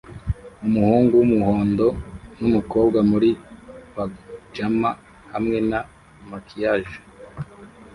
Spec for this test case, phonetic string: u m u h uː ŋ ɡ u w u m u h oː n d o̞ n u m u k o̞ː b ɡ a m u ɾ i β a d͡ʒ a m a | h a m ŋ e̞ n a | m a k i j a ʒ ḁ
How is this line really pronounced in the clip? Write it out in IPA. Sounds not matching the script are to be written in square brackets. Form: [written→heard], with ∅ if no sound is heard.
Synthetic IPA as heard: u m u h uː ŋ ɡ u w u m u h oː n d o̞ n u m u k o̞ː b ɡ a m u ɾ i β a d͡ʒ a m a | h a m ŋ e̞ n a | m a k i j a ʒ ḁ